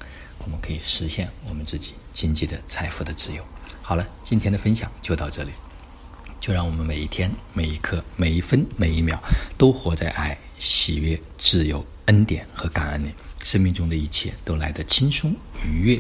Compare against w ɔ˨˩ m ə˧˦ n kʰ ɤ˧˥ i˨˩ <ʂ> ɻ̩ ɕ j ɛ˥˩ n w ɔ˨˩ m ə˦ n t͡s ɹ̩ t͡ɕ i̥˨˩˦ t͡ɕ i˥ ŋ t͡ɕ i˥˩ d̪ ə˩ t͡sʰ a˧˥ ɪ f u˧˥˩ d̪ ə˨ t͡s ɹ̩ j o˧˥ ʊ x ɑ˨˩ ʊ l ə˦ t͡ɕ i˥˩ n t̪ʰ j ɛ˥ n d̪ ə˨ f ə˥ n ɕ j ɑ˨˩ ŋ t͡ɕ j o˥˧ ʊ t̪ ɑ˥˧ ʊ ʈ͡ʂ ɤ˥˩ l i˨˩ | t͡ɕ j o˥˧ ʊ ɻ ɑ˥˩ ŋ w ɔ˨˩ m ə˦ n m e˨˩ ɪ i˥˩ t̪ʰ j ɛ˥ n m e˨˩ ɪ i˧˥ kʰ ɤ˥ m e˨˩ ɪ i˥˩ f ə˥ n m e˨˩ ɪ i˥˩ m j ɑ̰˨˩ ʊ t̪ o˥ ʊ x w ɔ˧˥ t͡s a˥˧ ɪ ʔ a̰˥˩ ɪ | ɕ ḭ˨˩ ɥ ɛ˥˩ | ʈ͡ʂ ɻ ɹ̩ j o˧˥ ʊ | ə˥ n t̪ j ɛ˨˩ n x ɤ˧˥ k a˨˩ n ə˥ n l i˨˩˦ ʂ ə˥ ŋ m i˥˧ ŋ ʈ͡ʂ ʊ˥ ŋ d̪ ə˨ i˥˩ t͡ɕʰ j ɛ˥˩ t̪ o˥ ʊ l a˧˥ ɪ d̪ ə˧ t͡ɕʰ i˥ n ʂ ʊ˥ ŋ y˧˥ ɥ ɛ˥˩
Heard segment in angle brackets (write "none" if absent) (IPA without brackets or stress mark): ʂ